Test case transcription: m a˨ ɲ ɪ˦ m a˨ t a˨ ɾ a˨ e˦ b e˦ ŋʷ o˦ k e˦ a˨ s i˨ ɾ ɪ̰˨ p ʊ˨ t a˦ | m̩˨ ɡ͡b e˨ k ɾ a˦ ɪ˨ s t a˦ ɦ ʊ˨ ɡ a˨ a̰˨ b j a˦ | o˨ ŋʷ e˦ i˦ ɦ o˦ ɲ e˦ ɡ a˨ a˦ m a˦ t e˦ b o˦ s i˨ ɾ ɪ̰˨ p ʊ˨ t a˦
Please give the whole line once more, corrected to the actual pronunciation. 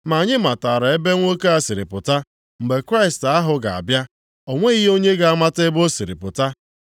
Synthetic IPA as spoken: m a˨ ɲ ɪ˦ m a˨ t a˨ ɾ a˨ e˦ b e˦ ŋʷ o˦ k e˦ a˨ s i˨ ɾ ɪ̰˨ p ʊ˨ t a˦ | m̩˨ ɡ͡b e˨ k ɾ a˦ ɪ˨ s t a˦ ɦ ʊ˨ ɡ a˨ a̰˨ b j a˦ | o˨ ŋʷ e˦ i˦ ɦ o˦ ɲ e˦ ɡ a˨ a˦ m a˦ t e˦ b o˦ s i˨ ɾ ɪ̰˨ p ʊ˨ t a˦